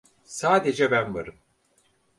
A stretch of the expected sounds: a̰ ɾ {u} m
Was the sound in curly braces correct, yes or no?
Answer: no